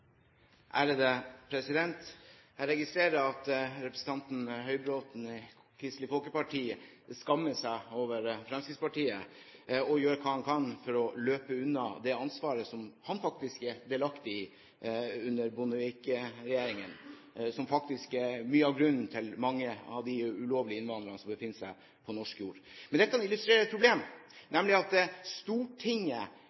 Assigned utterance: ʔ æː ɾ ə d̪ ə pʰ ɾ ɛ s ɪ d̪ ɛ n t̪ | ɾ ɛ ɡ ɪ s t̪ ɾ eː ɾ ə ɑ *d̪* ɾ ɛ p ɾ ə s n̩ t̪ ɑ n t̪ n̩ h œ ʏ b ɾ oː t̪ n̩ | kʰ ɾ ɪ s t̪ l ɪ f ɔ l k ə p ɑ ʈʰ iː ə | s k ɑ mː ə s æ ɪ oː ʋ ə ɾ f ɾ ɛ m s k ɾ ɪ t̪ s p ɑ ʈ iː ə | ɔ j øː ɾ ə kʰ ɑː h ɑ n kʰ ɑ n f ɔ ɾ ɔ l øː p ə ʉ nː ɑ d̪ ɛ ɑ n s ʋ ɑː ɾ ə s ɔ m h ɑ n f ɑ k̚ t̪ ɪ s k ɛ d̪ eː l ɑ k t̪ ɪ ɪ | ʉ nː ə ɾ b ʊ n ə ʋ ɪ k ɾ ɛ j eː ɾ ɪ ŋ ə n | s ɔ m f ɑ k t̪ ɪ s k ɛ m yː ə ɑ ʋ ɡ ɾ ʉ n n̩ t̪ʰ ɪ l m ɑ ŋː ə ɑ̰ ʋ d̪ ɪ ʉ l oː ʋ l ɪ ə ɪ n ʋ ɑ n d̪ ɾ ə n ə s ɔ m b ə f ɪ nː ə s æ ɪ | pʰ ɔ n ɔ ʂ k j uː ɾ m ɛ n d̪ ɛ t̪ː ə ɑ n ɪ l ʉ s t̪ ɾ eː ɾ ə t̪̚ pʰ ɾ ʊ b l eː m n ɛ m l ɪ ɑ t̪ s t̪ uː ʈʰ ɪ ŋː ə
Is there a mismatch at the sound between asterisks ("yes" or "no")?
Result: yes